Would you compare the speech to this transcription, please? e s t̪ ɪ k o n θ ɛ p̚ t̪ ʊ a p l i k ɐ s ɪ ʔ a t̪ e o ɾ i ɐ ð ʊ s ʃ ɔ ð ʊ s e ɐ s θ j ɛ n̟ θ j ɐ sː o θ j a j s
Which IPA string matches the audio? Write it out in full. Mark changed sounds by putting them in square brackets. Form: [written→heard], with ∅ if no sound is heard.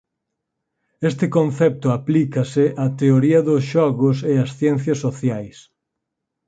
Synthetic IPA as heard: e s t̪ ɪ k o n θ ɛ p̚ t̪ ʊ a p l i k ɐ s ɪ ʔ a t̪ e o ɾ i ɐ ð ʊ s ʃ ɔ [ð→ɣ] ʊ s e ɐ s θ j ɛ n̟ θ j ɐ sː o θ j a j s